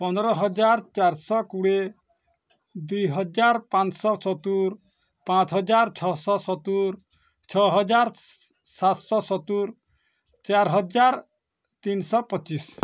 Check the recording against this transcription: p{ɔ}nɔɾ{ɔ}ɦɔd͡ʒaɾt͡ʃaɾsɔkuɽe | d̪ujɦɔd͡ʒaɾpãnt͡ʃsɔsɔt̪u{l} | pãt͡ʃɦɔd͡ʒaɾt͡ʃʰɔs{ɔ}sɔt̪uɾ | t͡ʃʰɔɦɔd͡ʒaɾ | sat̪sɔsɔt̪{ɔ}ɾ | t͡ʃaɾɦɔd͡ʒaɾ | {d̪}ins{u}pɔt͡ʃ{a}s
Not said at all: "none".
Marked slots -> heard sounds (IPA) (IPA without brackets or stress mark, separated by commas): ɔ, ɔ, ɾ, ɔ, u, t̪, ɔ, i